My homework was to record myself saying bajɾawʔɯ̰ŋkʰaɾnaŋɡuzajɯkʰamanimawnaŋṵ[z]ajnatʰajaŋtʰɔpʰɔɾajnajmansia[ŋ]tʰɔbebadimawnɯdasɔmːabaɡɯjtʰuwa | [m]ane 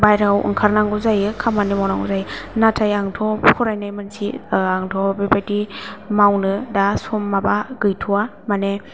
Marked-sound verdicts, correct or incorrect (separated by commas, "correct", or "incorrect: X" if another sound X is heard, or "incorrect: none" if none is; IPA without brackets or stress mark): correct, correct, correct